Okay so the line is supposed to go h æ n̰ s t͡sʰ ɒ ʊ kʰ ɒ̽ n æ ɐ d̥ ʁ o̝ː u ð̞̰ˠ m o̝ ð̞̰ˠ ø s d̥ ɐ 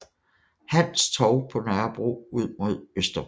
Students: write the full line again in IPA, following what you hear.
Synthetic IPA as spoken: h æ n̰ s t͡sʰ ɒ ʊ pʰ ɒ̽ n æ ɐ b̥ ʁ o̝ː u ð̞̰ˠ m o̝ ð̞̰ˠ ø s d̥ ɐ